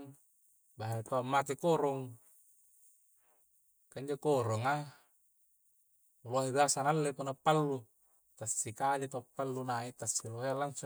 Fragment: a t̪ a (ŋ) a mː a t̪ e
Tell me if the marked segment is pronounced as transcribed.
no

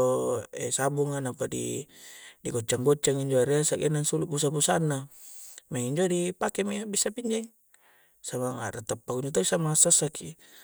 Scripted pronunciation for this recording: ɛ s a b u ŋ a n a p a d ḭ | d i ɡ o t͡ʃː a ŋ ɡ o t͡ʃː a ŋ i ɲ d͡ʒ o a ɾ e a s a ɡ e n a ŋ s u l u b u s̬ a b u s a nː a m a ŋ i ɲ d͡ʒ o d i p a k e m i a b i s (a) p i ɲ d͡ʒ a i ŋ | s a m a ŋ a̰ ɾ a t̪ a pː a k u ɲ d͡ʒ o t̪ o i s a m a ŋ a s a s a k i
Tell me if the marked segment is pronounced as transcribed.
yes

